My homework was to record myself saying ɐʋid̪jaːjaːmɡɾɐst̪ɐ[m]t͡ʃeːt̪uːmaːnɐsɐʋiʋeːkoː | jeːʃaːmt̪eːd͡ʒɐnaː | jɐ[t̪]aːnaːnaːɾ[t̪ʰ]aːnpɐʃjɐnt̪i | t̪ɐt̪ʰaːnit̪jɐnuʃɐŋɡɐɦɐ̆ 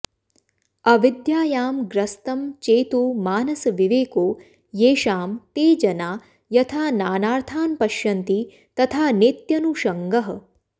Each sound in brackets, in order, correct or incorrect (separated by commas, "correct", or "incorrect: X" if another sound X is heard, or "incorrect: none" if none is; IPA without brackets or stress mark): correct, incorrect: t̪ʰ, correct